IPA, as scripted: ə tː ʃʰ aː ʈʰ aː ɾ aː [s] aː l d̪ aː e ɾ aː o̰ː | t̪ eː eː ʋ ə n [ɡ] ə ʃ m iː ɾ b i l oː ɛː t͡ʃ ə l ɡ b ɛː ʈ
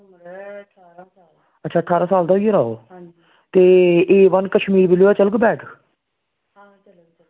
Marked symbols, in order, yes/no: yes, no

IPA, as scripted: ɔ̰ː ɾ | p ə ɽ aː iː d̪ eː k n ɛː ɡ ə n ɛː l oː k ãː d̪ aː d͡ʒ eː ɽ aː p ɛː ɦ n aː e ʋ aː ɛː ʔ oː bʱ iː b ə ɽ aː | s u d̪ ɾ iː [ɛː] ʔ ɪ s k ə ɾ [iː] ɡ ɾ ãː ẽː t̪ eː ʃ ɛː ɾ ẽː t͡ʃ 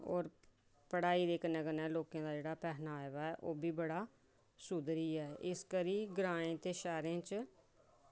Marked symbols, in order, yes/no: yes, yes

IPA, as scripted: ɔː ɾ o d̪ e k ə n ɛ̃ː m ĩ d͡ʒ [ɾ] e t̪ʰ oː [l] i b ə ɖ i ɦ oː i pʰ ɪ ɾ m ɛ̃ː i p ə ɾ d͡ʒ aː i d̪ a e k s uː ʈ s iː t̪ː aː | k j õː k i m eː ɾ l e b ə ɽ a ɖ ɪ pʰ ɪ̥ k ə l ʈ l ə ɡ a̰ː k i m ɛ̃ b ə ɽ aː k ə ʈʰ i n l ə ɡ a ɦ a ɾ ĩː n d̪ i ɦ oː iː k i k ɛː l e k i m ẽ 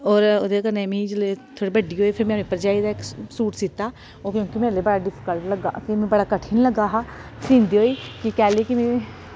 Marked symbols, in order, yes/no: no, no

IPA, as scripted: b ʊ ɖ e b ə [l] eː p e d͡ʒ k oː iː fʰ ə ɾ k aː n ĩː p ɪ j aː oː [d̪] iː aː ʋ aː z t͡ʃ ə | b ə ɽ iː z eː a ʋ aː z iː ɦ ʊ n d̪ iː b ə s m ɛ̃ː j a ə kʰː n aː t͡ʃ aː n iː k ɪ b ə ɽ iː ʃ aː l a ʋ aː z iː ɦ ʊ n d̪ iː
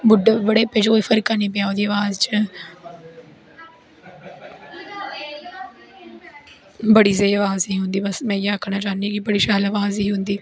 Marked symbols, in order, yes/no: no, yes

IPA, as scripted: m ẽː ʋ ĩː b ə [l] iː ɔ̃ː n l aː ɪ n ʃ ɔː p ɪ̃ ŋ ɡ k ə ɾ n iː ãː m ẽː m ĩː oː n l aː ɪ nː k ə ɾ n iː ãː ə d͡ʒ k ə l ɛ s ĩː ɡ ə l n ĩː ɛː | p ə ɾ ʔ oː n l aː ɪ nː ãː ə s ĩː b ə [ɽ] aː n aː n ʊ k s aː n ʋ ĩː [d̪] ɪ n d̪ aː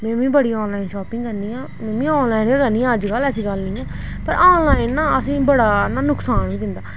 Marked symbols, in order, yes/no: no, yes, yes

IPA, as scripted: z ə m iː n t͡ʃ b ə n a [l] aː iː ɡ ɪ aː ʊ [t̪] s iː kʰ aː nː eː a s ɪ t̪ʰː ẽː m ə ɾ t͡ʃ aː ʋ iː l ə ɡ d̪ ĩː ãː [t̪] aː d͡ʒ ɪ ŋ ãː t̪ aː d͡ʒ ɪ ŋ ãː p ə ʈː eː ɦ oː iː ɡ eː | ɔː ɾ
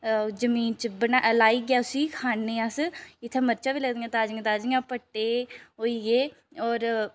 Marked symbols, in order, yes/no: yes, no, yes

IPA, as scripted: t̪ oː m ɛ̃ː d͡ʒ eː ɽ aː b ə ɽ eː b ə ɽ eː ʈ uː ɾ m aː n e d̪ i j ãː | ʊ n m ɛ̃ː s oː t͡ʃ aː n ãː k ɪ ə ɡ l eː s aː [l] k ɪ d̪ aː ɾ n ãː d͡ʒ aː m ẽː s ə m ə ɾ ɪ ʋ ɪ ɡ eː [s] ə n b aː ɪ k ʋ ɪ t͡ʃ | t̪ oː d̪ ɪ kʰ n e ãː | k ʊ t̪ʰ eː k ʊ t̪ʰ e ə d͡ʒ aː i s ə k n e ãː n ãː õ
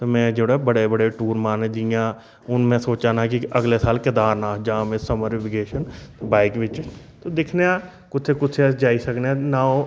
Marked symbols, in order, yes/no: yes, no

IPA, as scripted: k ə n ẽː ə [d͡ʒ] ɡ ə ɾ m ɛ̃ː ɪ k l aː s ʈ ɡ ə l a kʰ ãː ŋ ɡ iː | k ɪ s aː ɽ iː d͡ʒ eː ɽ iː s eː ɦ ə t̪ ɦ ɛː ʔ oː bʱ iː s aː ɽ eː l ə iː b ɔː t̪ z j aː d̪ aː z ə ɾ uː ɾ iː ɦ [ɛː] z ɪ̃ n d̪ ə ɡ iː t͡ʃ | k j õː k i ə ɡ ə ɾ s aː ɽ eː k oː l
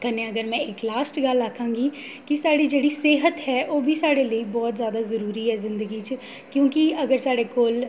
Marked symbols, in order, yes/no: no, yes

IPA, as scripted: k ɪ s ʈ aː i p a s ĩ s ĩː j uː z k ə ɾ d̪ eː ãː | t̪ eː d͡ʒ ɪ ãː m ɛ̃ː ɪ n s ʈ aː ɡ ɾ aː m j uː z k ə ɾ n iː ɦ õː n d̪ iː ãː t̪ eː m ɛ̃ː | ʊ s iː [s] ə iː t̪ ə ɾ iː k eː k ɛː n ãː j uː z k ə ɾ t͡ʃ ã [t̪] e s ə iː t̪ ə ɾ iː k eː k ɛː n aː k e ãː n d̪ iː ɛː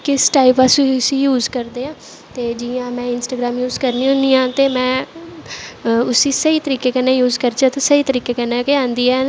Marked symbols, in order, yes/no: yes, yes

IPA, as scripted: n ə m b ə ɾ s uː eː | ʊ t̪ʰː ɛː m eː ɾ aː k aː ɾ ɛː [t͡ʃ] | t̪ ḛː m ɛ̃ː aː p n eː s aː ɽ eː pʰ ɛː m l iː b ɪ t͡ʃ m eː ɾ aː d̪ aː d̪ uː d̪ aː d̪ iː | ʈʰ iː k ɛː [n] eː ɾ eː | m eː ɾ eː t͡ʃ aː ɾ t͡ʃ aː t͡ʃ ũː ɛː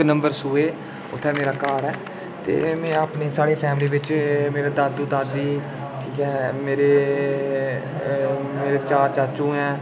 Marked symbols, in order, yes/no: no, no

